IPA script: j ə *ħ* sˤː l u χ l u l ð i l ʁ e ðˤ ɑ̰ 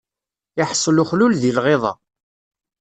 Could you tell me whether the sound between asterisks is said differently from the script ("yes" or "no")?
no